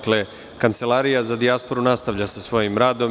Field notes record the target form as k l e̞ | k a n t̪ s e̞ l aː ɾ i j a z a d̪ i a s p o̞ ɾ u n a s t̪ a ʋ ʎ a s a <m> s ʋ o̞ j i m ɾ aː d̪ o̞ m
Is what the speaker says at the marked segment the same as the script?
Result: no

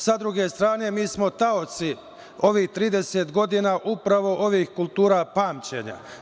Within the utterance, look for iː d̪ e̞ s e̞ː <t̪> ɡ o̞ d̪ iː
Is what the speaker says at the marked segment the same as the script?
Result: yes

